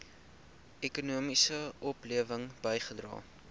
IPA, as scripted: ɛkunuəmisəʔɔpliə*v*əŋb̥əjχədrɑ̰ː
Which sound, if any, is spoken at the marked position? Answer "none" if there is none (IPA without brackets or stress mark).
v